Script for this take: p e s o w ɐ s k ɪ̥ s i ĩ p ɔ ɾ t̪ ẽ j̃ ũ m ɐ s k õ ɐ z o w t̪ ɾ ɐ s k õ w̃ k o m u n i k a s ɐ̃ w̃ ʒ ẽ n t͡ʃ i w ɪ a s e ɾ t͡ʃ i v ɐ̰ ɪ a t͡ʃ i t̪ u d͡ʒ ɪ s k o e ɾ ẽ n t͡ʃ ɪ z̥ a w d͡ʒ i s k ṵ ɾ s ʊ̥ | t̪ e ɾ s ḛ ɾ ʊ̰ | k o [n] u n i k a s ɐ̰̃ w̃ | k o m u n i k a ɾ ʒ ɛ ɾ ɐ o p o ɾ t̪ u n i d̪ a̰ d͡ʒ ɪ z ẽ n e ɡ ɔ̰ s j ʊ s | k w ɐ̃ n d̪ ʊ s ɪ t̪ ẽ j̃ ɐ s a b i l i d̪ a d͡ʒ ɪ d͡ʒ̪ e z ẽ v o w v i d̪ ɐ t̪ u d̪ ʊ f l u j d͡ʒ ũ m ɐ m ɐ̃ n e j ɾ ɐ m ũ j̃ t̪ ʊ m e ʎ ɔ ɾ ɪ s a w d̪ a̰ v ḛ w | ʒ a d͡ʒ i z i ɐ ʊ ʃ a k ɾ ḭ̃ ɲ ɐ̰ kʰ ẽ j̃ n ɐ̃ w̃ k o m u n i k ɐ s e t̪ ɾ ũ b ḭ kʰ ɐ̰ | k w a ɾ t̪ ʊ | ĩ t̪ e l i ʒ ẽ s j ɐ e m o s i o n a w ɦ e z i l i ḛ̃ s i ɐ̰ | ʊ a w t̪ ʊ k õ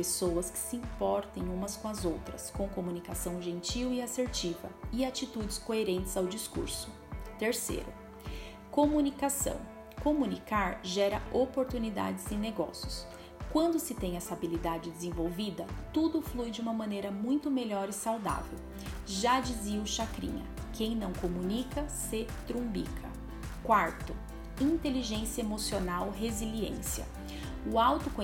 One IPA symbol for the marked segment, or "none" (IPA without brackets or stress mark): m